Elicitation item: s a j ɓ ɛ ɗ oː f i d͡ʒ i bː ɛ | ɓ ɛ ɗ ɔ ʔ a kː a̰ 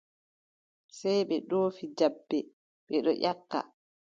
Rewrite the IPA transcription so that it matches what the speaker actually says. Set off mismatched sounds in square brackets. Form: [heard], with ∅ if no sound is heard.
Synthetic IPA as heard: s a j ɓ ɛ ɗ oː f i d͡ʒ [a] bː ɛ | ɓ ɛ ɗ ɔ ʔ a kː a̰

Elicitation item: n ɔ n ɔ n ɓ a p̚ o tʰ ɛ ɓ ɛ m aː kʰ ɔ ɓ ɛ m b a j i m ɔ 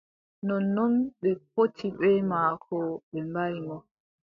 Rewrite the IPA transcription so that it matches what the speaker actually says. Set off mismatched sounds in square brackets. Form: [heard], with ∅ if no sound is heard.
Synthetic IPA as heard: n ɔ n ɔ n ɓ [ɛ] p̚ o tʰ [i] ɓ ɛ m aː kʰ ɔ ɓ ɛ m b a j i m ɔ

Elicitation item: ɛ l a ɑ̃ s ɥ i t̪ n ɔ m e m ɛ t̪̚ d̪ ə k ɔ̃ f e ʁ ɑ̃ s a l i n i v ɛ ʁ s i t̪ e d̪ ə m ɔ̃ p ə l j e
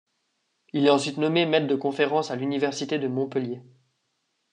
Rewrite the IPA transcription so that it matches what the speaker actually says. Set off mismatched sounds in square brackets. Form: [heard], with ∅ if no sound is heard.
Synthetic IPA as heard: [i] l [ɛ] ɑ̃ s ɥ i t̪ n ɔ m e m ɛ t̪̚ d̪ ə k ɔ̃ f e ʁ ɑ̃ s a l [y] n i v ɛ ʁ s i t̪ e d̪ ə m ɔ̃ p ə l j e

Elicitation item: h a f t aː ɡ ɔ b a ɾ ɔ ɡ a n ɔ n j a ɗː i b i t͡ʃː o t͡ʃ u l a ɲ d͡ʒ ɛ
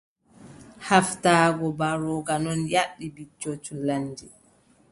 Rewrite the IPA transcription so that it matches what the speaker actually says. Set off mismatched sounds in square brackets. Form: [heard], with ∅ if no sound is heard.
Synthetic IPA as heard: h a f t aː ɡ ɔ b a ɾ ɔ ɡ a n ɔ n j a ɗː i b i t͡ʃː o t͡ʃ u l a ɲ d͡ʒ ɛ

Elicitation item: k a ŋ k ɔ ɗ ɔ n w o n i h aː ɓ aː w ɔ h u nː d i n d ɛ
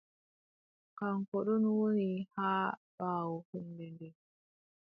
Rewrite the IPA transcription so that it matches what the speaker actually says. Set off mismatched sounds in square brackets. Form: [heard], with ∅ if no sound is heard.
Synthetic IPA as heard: k a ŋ k ɔ ɗ ɔ n w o n i h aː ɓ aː w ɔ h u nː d [ɛ] n d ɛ

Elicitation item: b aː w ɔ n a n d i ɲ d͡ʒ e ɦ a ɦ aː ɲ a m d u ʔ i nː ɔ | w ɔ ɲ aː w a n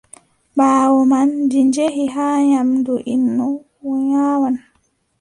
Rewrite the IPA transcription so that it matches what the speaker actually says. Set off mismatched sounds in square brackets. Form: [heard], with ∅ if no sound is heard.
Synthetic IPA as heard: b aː w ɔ [m] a n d i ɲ d͡ʒ e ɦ [i] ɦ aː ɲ a m d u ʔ i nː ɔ | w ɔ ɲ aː w a n

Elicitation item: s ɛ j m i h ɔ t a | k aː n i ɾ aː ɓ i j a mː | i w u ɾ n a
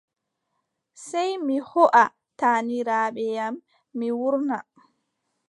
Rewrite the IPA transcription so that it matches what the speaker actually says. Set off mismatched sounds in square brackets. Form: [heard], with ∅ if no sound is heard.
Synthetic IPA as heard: s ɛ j m i h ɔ [ʔ] a | [t] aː n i ɾ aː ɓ [ɛ] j a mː | i w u ɾ n a

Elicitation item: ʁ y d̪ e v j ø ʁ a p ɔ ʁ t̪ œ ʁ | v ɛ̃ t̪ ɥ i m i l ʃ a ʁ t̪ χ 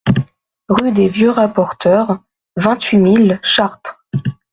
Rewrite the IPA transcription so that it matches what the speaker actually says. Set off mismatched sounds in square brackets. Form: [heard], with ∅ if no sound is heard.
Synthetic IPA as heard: ʁ y d̪ e v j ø ʁ a p ɔ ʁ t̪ œ ʁ | v ɛ̃ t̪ ɥ i m i l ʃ a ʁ t̪ χ

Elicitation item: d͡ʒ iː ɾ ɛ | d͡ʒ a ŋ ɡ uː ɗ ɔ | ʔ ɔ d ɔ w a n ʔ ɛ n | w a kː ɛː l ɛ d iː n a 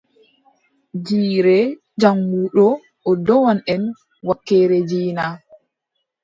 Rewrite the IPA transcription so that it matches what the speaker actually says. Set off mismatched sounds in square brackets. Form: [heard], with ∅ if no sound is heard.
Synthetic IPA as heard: d͡ʒ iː ɾ ɛ | d͡ʒ a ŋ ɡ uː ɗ ɔ | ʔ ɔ d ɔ w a n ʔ ɛ n | w a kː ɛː [ɾ] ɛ [d͡ʒ] iː n a

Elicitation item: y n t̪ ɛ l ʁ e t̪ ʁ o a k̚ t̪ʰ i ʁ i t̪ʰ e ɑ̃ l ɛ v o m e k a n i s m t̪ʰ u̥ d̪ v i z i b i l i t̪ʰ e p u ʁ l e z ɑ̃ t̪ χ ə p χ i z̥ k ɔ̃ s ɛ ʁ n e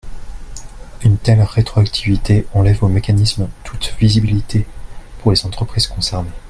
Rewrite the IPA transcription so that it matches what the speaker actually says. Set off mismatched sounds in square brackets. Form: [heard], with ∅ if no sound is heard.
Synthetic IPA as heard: y n t̪ ɛ l ʁ e t̪ [χ] o a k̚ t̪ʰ i [v] i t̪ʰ e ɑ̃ l ɛ v o m e k a n i s m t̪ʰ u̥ [t̪] v i z i b i l i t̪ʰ e p u ʁ l e z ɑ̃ t̪ χ ə p χ i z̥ k ɔ̃ s ɛ ʁ n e

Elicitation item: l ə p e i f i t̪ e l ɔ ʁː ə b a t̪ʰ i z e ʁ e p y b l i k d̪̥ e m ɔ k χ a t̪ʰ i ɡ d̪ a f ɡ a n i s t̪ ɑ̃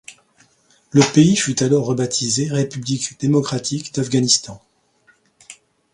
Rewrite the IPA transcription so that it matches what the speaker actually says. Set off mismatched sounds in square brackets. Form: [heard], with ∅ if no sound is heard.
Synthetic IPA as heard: l ə p e i f [y] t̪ [a] l ɔ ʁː ə b a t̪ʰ i z e ʁ e p y b l i k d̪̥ e m ɔ k χ a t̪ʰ i [k] d̪ a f ɡ a n i s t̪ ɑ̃

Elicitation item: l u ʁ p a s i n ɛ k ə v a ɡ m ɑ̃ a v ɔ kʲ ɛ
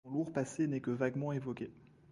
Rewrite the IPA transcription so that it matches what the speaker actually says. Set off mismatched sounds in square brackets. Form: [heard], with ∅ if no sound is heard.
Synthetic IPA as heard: l u ʁ p a s [e] n ɛ k ə v a ɡ m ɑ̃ [e] v ɔ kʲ [e]

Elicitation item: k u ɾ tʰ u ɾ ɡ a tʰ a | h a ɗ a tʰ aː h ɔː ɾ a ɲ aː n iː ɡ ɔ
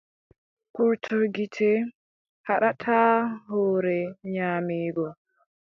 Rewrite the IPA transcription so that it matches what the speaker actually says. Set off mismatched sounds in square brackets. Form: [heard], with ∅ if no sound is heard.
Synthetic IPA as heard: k u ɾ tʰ u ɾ ɡ [i] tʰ [ɛ] | h a ɗ a tʰ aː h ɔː ɾ [ɛ] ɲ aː [m] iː ɡ ɔ

